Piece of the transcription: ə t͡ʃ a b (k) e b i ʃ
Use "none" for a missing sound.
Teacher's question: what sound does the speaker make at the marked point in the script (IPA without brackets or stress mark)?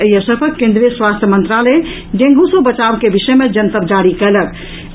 k